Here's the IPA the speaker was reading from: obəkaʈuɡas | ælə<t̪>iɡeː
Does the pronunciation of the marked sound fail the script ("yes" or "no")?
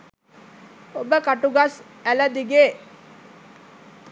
yes